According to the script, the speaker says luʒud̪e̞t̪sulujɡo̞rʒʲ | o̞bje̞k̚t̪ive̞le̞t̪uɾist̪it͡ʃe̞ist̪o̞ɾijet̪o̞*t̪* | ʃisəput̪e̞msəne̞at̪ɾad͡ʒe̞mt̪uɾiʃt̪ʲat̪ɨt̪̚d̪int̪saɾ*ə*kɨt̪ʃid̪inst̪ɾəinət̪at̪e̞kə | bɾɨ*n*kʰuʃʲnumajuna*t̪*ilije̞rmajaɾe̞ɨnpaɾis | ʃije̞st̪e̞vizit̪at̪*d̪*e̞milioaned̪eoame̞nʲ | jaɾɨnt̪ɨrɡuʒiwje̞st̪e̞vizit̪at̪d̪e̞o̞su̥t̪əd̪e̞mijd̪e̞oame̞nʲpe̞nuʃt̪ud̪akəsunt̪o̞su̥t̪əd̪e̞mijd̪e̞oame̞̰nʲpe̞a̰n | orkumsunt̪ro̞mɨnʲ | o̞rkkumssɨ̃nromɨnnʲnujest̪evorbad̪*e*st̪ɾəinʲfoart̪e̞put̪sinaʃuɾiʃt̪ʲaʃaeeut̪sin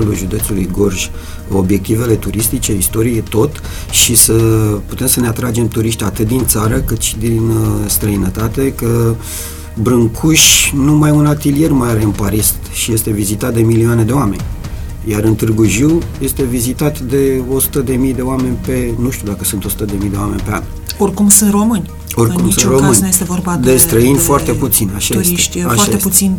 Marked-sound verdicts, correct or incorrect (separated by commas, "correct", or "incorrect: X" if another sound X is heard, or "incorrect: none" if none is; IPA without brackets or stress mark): correct, correct, incorrect: ŋ, correct, correct, correct